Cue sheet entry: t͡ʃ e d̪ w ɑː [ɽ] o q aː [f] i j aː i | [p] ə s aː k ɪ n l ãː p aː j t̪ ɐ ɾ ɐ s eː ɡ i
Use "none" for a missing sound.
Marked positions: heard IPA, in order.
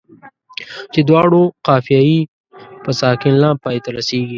ɽ, f, p

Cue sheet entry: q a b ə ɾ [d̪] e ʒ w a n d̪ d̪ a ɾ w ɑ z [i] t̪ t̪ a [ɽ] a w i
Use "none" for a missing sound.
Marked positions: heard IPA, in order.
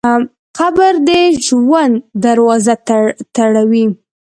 d̪, a, ɽ

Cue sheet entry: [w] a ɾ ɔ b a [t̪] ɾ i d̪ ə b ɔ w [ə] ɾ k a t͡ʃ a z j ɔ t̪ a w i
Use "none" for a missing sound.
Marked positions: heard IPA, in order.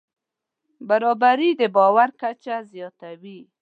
b, none, a

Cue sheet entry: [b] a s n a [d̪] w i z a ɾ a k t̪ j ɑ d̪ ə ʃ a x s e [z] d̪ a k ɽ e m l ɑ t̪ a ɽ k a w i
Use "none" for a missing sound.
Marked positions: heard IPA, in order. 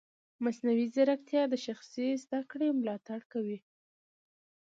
m, none, z

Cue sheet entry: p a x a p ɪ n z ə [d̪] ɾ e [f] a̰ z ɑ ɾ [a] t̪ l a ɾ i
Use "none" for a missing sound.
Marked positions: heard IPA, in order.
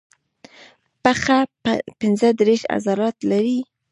d̪, ʃ, ɑ

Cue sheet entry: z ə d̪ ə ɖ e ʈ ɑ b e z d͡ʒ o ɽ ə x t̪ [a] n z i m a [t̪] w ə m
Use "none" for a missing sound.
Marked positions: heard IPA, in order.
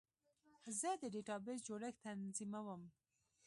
a, none

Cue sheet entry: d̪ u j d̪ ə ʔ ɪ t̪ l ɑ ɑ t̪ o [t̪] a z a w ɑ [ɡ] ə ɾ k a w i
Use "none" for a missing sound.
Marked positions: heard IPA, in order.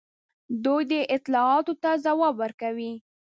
t̪, b

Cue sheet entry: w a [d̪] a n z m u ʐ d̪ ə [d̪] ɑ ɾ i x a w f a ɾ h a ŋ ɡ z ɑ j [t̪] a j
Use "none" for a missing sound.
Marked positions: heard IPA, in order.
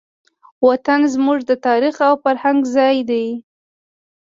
t̪, t̪, d̪

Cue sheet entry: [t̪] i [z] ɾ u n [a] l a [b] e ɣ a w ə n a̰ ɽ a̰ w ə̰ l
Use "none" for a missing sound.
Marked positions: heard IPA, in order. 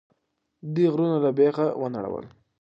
d̪, ɣ, a, b

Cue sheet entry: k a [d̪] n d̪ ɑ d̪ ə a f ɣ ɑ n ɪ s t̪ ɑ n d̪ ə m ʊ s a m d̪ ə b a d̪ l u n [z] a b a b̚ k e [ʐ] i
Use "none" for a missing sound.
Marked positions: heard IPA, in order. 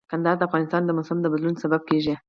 none, s, ʒ

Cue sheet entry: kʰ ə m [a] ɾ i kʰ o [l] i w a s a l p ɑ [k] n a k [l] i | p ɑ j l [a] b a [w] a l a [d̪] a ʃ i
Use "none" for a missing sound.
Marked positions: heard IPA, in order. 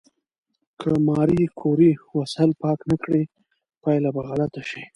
ɑ, ɾ, k, ɽ, a, ɣ, t̪

